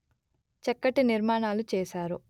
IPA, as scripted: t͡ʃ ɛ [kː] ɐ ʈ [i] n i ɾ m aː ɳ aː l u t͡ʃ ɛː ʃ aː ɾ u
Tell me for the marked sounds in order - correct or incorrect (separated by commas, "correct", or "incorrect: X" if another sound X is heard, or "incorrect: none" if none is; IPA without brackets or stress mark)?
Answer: correct, correct